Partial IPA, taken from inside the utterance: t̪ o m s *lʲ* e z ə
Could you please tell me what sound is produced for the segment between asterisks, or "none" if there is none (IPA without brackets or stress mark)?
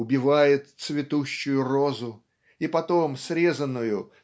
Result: ɾʲ